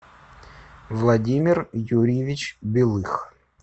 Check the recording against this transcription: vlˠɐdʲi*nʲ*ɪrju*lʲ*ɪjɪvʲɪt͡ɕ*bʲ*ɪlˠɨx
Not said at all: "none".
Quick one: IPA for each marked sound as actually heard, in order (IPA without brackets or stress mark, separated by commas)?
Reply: mʲ, ɾʲ, bʲ